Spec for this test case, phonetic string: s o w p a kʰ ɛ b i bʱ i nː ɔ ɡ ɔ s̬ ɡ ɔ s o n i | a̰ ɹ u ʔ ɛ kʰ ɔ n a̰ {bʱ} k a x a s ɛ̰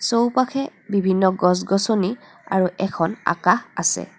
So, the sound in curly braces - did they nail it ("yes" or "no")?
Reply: no